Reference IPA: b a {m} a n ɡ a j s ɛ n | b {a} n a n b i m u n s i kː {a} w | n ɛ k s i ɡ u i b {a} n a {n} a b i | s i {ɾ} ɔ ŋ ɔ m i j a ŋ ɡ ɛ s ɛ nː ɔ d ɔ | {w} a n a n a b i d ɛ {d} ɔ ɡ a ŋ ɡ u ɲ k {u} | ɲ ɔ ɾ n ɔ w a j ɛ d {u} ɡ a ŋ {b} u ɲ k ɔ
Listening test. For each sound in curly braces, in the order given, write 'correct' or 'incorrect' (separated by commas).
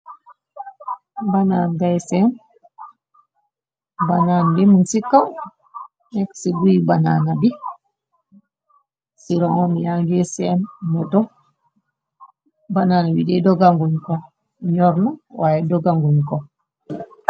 incorrect, correct, correct, correct, correct, correct, incorrect, correct, incorrect, incorrect, incorrect